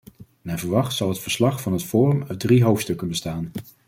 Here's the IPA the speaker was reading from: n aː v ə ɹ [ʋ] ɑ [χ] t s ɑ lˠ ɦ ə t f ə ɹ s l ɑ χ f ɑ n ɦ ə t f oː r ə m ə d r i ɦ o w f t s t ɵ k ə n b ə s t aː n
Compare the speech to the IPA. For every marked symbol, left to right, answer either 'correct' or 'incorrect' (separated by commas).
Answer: correct, correct